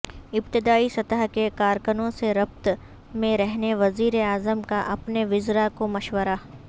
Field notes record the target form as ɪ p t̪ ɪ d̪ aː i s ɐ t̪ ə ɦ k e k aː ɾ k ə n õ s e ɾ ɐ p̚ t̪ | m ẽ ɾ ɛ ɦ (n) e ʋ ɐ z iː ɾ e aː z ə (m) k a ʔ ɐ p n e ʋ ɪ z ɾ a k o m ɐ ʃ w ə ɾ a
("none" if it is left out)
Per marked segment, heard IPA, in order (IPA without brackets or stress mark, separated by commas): n, m